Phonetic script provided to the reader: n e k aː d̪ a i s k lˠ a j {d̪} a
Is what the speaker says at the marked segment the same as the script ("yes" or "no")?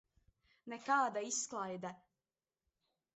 yes